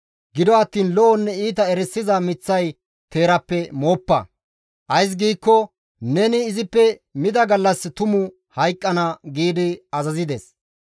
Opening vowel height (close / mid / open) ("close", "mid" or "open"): close